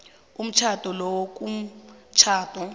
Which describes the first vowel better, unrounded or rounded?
rounded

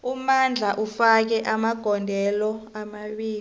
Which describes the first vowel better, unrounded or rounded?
rounded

